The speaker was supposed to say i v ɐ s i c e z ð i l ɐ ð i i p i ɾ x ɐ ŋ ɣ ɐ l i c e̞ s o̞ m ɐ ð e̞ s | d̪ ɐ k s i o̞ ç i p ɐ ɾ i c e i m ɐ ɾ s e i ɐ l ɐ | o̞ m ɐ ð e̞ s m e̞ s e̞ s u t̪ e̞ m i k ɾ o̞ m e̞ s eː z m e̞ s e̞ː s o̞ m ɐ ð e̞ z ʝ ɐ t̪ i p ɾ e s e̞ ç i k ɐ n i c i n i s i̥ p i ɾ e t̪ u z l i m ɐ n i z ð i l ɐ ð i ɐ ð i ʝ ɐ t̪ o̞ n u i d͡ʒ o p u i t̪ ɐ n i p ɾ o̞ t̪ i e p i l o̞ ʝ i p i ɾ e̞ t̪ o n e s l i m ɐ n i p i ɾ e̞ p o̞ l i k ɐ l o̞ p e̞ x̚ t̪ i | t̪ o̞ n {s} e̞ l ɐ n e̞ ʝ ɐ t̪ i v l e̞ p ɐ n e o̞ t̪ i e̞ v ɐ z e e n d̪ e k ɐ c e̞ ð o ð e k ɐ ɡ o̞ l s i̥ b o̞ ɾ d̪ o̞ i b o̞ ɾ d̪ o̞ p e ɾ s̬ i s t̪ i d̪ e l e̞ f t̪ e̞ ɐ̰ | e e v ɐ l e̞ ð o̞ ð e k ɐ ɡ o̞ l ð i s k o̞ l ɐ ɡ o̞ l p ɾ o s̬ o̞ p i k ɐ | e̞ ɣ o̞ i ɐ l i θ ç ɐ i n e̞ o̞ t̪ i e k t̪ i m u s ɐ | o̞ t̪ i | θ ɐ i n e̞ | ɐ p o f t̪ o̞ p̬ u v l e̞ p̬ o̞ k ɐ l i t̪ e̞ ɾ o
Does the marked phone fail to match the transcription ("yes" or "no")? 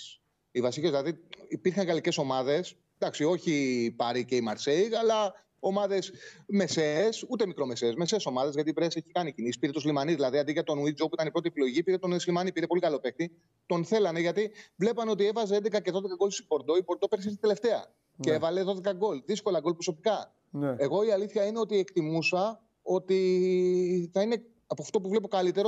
yes